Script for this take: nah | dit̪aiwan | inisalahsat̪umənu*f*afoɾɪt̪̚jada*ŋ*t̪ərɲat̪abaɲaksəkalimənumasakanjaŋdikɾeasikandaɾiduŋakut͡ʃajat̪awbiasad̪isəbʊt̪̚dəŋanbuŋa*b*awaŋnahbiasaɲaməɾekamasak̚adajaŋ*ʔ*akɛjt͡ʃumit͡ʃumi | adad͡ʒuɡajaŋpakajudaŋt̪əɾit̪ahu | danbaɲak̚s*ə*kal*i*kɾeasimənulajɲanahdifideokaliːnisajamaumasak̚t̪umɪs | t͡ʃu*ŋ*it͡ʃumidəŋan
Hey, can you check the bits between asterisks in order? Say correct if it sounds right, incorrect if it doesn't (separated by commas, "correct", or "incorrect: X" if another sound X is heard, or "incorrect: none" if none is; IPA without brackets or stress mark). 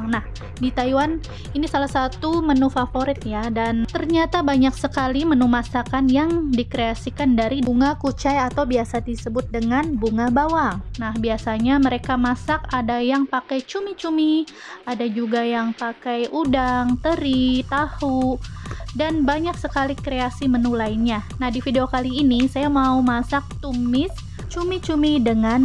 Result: correct, incorrect: n, correct, incorrect: p, correct, correct, incorrect: m